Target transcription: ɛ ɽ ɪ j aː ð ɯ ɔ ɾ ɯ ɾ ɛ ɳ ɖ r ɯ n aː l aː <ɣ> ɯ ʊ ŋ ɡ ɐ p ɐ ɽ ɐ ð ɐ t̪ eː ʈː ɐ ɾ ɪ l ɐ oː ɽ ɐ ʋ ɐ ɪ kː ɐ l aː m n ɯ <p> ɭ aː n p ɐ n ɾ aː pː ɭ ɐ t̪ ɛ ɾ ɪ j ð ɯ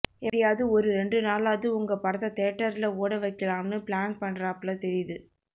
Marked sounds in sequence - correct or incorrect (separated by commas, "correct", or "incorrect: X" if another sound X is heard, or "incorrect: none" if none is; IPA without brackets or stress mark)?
incorrect: ð, correct